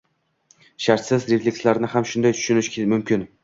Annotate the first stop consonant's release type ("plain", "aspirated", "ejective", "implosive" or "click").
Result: plain